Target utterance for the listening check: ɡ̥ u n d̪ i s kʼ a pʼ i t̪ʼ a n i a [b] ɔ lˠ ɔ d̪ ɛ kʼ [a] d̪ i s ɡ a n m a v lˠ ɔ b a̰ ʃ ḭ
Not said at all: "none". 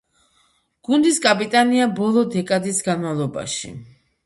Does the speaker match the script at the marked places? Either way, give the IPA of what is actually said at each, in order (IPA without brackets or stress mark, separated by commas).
b, a